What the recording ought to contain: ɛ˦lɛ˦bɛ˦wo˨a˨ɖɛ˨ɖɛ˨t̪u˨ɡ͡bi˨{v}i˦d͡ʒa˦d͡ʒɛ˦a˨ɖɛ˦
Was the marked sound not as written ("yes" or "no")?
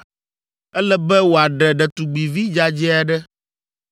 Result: no